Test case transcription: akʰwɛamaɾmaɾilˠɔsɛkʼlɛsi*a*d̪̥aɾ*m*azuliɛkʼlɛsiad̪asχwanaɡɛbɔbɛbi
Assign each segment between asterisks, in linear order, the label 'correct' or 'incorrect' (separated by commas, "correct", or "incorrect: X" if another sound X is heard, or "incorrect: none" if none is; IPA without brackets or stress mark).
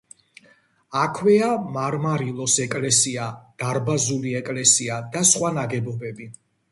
correct, incorrect: b